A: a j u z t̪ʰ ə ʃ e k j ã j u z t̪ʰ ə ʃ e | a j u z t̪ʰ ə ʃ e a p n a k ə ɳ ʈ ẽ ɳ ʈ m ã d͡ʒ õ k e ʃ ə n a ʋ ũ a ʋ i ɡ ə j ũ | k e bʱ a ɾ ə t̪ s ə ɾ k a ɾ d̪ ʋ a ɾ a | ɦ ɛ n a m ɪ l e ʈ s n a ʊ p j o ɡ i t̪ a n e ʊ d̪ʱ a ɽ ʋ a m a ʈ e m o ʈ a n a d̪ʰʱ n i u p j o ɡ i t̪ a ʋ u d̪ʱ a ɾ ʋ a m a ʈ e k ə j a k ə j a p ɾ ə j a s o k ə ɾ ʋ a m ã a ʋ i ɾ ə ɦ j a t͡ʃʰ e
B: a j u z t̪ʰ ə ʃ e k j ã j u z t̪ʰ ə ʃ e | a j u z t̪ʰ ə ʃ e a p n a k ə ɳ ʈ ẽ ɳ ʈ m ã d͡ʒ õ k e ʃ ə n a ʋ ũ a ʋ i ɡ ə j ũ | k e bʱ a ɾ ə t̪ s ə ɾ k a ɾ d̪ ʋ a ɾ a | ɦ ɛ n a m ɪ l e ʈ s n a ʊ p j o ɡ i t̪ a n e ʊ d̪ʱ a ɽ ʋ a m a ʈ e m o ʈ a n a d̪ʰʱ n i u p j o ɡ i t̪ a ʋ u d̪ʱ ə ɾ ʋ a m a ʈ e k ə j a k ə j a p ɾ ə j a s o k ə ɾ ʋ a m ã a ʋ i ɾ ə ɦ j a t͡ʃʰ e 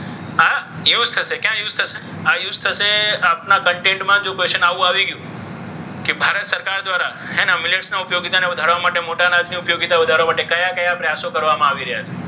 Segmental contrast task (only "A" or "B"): A